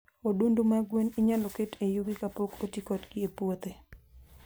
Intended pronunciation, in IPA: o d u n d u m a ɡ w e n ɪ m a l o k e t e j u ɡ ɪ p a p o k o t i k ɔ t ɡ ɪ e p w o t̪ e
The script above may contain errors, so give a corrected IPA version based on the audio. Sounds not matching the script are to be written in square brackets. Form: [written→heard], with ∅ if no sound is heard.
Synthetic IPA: o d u n d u m a ɡ w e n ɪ [m→ɲ] a l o k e t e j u ɡ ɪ [p→k] a p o k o t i k ɔ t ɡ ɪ e p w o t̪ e